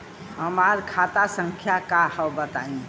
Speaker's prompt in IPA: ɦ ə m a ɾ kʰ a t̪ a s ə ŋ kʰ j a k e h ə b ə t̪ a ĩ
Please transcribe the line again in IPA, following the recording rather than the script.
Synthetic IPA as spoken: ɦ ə m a ɾ kʰ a t̪ a s ə ŋ kʰ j a k a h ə b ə t̪ a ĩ